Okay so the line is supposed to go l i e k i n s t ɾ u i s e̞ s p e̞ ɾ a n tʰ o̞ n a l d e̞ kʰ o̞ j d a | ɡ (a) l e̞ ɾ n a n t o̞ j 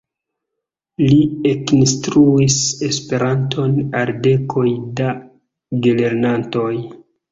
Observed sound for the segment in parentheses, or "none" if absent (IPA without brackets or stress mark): e